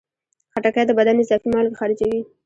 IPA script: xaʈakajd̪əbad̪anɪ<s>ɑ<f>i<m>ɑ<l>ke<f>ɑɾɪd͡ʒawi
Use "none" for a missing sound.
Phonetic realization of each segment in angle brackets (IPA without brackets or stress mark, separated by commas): z, f, m, l, x